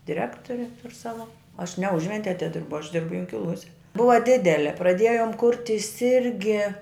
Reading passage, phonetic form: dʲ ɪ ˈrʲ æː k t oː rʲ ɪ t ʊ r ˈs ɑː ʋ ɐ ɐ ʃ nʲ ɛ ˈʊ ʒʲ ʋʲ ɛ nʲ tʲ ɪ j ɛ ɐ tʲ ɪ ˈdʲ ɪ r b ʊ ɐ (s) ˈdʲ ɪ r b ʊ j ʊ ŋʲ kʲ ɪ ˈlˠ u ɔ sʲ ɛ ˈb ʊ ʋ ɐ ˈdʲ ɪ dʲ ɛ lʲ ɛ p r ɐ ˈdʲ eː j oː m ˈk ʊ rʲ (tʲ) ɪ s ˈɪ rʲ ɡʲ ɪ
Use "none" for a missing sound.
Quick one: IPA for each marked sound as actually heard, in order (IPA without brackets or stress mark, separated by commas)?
ʃ, tʲ